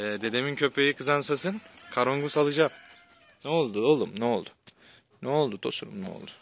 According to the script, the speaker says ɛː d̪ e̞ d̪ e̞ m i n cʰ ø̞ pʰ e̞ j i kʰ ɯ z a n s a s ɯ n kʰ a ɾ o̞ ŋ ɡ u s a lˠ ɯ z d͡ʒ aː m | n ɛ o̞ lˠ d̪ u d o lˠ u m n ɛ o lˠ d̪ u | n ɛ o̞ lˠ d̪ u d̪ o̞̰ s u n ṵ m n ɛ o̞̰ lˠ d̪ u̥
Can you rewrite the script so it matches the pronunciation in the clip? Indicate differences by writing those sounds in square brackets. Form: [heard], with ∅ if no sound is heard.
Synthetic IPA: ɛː d̪ e̞ d̪ e̞ m i n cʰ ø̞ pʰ e̞ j i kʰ ɯ z a n s a s ɯ n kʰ a ɾ o̞ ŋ ɡ u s a lˠ ɯ [∅] d͡ʒ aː m | n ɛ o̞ lˠ d̪ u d o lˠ u m n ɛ o lˠ d̪ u | n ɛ o̞ lˠ d̪ u d̪ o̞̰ s u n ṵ m n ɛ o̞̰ lˠ d̪ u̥

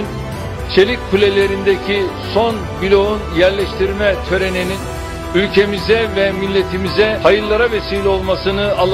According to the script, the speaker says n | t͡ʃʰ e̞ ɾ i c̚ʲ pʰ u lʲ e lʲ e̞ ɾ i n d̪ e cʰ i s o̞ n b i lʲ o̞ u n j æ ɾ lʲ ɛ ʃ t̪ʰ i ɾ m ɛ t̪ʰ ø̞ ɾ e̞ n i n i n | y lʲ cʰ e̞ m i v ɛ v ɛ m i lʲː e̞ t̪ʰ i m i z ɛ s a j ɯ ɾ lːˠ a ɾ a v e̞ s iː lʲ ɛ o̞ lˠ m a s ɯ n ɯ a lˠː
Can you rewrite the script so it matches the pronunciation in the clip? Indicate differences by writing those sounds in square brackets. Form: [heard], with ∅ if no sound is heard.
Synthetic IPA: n | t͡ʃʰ e̞ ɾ i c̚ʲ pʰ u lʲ e lʲ e̞ ɾ i n d̪ e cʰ i s o̞ n b i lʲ o̞ u n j æ ɾ lʲ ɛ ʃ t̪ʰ i ɾ m ɛ t̪ʰ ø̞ ɾ e̞ n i n i n | y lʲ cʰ e̞ m i [z] ɛ v ɛ m i lʲː e̞ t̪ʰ i m i z ɛ [h] a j ɯ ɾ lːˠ a ɾ a v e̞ s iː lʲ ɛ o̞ lˠ m a s ɯ n ɯ a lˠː

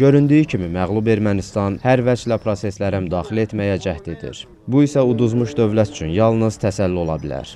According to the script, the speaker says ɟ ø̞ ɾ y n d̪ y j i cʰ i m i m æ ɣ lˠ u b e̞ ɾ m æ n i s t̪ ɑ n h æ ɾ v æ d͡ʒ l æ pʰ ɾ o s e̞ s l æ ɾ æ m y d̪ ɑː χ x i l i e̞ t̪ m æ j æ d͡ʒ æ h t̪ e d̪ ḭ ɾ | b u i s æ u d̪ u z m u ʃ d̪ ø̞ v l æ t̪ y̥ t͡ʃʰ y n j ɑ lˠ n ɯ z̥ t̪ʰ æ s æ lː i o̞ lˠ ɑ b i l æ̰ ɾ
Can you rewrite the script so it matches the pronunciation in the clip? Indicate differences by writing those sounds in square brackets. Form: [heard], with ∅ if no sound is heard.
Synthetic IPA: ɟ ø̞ ɾ y n d̪ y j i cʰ i m i m æ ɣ lˠ u b e̞ ɾ m æ n i s t̪ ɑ n h æ ɾ v æ d͡ʒ l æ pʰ ɾ o s e̞ s l æ ɾ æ m y d̪ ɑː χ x i l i e̞ t̪ m æ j æ d͡ʒ æ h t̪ e d̪ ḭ ɾ | b u i s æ u d̪ u z m u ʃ d̪ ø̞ v l æ t̪ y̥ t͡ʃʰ y n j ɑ lˠ n ɯ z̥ t̪ʰ æ s æ lː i o̞ lˠ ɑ b i l æ̰ ɾ

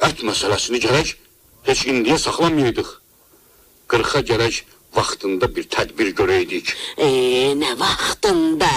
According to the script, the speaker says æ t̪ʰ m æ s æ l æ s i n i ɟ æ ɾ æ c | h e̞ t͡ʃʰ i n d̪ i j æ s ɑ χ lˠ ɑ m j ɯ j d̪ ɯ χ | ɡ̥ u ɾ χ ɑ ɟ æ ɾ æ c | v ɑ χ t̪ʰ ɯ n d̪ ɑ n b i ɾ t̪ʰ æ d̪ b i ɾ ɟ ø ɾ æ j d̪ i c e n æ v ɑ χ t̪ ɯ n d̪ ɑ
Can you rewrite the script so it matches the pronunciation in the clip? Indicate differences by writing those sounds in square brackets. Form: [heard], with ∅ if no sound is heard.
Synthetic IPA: æ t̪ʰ m æ s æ l æ s i n i ɟ æ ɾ æ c | h e̞ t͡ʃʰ i n d̪ i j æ s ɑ χ lˠ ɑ m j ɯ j d̪ ɯ χ | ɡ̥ [ɯ] ɾ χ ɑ ɟ æ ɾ æ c | v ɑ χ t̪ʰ ɯ n d̪ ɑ [∅] b i ɾ t̪ʰ æ d̪ b i ɾ ɟ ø ɾ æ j d̪ i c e n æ v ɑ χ t̪ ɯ n d̪ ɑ

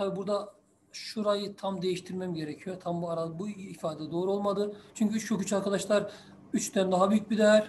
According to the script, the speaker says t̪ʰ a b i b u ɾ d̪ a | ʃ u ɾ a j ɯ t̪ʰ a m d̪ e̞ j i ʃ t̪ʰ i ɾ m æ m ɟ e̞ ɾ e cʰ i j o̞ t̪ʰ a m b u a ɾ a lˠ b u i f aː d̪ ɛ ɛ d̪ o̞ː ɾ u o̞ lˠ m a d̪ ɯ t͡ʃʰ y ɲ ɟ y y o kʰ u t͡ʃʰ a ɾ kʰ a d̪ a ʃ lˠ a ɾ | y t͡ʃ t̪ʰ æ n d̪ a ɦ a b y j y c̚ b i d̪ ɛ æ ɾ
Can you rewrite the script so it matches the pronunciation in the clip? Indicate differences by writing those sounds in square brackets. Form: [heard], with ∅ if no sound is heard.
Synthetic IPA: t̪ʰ a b i b u ɾ d̪ a | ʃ u ɾ a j ɯ t̪ʰ a m d̪ e̞ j i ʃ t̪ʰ i ɾ m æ m ɟ e̞ ɾ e cʰ i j o̞ t̪ʰ a m b u a ɾ a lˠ b u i f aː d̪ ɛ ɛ d̪ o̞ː ɾ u o̞ lˠ m a d̪ ɯ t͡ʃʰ y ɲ [c] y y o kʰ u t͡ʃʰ a ɾ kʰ a d̪ a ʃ lˠ a ɾ | y t͡ʃ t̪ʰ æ n d̪ a ɦ a b y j y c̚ b i d̪ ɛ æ ɾ

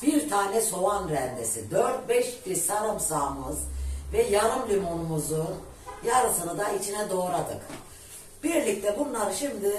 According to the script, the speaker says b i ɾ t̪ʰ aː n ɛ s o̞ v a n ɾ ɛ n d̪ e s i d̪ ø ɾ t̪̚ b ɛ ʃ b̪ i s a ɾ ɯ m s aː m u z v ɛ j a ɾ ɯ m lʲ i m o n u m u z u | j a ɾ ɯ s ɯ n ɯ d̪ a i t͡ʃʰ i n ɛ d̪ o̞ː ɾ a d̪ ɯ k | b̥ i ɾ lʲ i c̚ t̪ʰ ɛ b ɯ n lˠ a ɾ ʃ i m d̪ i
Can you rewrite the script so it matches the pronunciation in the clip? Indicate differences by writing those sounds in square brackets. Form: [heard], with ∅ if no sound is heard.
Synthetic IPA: b i ɾ t̪ʰ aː n ɛ s o̞ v a n ɾ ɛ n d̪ e s i d̪ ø ɾ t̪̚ b ɛ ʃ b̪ i s a ɾ ɯ m s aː m [ɯ] z v ɛ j a ɾ ɯ m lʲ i m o n u m u z u | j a ɾ ɯ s ɯ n ɯ d̪ a i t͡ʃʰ i n ɛ d̪ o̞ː ɾ a d̪ ɯ k | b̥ i ɾ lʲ i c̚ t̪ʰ ɛ b [u] n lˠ a ɾ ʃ i m d̪ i

